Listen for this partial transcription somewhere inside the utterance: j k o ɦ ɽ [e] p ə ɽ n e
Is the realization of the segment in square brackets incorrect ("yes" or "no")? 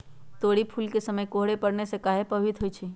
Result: no